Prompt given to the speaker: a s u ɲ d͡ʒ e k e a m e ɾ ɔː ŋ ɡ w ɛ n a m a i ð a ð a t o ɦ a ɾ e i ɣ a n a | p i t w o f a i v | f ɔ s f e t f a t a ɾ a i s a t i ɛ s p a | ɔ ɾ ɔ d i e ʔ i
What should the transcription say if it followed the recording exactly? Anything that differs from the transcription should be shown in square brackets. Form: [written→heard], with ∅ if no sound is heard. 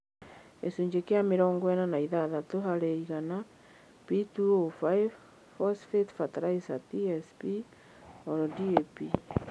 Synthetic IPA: [a→e] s u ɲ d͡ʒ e k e a m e ɾ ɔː ŋ ɡ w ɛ n a [m→n] a i ð a ð a t o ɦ a ɾ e i ɣ a n a | p i t [w→u] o f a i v | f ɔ s f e t f a t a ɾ a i s a t i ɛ s p [a→i] | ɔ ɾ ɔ d i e [ʔ→p] i